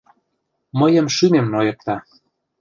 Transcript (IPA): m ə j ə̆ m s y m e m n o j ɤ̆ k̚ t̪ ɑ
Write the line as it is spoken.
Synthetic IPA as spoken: m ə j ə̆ m ʃ y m e m n o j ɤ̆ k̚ t̪ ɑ